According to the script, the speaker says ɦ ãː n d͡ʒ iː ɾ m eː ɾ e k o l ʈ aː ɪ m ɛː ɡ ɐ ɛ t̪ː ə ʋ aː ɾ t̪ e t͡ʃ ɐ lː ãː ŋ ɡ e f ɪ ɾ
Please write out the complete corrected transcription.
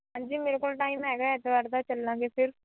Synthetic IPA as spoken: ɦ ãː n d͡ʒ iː m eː ɾ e k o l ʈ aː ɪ m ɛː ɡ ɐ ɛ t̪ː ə ʋ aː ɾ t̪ a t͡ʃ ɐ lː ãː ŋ ɡ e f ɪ ɾ